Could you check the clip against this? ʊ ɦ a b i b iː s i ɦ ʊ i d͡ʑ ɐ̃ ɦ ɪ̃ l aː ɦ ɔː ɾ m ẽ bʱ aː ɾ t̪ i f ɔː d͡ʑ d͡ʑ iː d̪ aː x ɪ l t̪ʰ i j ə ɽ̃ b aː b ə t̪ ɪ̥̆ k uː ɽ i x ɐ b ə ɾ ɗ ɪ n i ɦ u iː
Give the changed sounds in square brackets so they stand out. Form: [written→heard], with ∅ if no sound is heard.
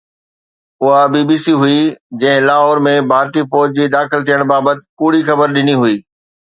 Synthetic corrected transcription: ʊ ɦ a b i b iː s i ɦ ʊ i d͡ʑ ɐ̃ ɦ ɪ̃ l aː ɦ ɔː ɾ m ẽ bʱ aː ɾ t̪ i f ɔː d͡ʑ d͡ʑ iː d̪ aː x ɪ l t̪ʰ i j ə ɽ̃ b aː b ə t̪ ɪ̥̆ k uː ɽ i x ɐ b ə ɾ ɗ ɪ n i ɦ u iː